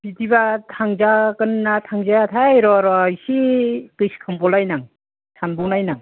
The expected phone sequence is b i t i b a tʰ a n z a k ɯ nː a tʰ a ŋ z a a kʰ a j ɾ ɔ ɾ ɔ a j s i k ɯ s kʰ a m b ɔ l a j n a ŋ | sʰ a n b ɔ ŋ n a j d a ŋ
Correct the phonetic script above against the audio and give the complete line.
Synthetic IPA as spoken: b i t i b a tʰ a ŋ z a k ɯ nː a tʰ a ŋ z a a tʰ a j ɾ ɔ ɾ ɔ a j s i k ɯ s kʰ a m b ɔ l a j n a ŋ | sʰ a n b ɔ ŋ n a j n a ŋ